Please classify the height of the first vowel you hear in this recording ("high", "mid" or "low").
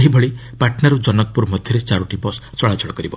high